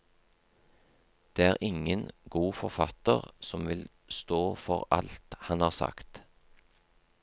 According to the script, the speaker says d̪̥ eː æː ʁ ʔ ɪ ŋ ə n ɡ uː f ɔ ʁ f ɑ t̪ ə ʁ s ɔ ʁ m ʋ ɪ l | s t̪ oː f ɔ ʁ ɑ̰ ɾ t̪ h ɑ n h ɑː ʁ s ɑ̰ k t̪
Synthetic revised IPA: d̪̥ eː æː ʁ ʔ ɪ ŋ ə n ɡ uː f ɔ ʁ f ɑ t̪ ə ʁ s ɔ m ʋ ɪ l | s t̪ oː f ɔ ʁ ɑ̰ l t̪ h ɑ n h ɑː ʁ s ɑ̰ k t̪